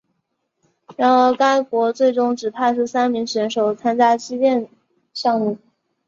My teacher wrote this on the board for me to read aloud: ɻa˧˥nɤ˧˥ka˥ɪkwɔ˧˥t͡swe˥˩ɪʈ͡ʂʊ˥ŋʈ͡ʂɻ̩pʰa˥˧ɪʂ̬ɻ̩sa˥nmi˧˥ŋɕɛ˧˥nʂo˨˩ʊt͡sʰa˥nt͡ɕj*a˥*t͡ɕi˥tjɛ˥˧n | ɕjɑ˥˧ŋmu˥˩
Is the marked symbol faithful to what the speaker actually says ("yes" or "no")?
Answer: yes